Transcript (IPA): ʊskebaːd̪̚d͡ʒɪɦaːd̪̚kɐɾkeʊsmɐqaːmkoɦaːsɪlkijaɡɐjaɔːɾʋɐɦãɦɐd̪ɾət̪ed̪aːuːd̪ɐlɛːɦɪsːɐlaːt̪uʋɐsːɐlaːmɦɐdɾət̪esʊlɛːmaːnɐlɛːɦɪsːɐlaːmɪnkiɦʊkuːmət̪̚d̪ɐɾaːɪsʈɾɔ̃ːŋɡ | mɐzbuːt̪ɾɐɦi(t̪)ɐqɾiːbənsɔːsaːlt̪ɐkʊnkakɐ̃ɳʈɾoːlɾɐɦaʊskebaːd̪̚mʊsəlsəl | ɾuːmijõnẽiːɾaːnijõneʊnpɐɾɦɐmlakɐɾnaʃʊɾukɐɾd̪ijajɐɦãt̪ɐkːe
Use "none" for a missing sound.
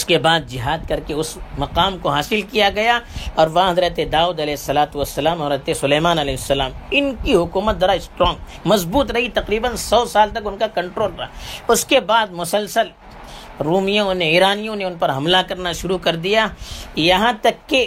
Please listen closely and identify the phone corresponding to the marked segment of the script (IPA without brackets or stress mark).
t̪